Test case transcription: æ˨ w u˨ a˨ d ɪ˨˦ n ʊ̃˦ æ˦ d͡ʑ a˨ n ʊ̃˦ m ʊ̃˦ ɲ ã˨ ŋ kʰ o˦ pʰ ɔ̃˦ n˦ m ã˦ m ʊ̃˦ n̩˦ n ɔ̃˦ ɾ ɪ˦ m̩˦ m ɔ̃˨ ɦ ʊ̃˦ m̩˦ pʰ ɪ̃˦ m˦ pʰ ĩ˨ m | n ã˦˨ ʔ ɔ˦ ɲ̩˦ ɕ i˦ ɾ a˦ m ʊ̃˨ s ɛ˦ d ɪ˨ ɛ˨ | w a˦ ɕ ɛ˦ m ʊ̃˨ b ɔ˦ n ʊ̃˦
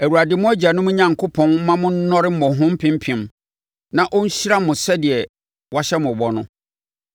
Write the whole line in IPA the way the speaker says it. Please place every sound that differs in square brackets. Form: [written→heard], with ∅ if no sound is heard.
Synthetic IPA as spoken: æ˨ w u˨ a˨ d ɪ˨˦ [n→m] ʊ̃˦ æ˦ d͡ʑ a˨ n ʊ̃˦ m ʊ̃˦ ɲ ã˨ ŋ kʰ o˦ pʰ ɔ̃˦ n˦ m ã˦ m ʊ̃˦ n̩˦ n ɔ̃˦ ɾ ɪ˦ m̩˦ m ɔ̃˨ ɦ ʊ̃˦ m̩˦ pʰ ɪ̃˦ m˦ pʰ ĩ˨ m | n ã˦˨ ʔ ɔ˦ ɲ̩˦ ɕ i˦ ɾ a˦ m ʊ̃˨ s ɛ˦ d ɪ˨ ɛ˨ | w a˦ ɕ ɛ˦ m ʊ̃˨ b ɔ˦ n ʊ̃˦